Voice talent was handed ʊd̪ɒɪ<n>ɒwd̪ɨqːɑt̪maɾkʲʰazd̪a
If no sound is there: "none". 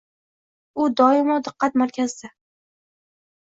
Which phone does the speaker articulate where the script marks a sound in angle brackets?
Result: m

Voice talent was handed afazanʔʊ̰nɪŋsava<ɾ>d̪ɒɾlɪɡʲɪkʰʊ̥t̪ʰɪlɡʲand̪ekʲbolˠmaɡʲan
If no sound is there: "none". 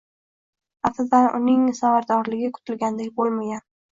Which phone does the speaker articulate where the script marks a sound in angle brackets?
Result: ɾ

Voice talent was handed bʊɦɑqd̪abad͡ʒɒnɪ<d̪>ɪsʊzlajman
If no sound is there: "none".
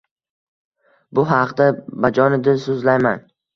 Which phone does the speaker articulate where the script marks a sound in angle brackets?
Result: d̪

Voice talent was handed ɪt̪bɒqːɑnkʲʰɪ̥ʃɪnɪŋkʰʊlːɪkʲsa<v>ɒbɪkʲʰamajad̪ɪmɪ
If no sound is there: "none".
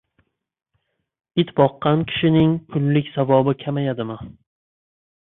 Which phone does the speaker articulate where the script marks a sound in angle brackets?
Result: v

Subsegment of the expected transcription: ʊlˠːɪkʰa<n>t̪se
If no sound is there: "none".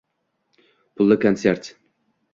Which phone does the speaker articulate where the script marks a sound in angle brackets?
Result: n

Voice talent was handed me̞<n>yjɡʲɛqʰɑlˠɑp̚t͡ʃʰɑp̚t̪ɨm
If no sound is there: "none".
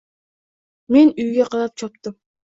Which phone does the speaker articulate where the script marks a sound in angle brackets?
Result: n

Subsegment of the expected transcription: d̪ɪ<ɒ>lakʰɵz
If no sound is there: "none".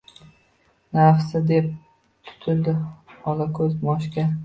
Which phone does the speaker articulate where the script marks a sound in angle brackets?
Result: ɒ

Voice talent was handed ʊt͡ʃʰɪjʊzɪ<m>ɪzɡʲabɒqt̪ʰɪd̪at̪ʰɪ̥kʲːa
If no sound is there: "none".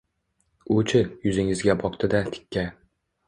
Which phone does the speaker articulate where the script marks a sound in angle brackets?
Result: ŋ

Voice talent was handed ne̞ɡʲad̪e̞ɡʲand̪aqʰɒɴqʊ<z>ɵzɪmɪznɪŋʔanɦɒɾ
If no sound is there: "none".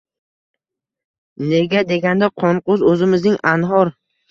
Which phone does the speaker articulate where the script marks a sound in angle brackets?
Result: z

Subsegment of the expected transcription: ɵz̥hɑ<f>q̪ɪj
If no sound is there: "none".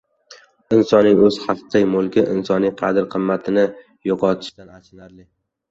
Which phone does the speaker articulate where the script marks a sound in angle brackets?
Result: f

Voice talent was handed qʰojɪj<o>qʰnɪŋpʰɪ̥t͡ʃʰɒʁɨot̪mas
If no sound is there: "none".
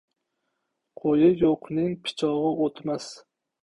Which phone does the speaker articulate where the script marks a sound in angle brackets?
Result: o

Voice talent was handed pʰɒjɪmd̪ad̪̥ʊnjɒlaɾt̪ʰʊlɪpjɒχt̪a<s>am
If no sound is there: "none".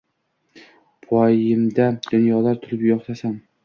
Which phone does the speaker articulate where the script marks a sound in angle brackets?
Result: s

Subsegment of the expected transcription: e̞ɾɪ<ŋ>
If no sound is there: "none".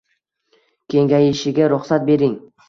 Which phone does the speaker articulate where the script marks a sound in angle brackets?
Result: ŋ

